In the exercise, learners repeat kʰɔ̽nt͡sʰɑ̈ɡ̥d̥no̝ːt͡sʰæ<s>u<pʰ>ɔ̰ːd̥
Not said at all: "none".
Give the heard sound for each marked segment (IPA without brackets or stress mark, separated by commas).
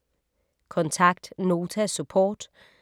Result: s, pʰ